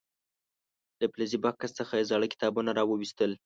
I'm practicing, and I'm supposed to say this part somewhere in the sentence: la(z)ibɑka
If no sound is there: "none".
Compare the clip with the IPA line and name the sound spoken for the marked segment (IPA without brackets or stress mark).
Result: z